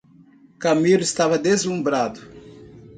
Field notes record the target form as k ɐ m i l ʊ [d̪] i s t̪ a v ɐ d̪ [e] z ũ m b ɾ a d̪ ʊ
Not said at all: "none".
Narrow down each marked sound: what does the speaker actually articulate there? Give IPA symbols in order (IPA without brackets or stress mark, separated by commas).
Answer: none, e